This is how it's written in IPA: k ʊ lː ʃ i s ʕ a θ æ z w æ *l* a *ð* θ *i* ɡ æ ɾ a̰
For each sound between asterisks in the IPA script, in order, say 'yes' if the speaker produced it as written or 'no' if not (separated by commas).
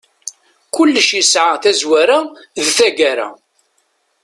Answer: no, yes, no